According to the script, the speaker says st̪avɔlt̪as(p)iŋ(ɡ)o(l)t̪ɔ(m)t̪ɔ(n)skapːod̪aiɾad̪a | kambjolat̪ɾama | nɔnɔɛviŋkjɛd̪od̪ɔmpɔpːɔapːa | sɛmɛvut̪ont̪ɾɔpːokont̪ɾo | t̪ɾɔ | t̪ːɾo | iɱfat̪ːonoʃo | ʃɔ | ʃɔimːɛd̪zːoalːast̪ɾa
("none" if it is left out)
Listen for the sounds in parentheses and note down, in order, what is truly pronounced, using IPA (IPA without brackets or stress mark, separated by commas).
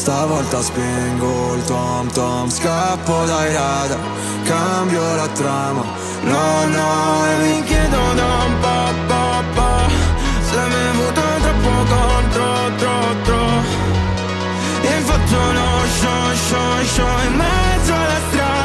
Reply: p, ɡ, l, m, m